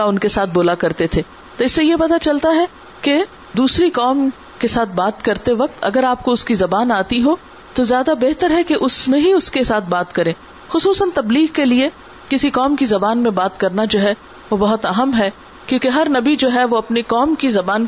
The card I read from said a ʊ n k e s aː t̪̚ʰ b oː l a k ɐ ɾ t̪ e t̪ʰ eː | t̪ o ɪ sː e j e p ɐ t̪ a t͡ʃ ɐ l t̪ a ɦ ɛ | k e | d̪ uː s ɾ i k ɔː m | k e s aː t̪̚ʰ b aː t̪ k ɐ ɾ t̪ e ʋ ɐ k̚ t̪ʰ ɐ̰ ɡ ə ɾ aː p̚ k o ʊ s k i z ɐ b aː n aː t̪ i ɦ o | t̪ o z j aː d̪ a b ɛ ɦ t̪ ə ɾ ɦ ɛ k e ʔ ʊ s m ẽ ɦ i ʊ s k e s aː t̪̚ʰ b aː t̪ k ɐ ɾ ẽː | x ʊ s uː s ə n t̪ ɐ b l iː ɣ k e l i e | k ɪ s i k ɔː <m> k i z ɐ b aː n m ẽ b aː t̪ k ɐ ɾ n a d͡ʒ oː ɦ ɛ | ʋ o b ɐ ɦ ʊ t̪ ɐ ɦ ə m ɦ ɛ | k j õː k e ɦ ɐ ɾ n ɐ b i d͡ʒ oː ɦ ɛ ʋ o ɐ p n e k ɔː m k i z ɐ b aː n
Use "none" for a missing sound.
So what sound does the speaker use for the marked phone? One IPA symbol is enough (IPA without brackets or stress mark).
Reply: m